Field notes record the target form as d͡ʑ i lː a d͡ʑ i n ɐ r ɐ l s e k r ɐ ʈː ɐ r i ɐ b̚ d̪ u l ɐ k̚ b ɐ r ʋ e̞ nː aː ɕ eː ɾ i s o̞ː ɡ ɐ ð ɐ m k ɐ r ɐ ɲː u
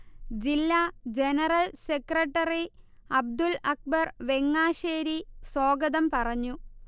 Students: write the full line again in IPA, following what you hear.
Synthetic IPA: d͡ʑ i lː a d͡ʑ e n ɐ r ɐ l s e k r ɐ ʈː ɐ r i ɐ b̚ d̪ u l ɐ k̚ b ɐ r ʋ e̞ ŋː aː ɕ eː ɾ i s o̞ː ɡ ɐ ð ɐ m p ɐ r ɐ ɲː u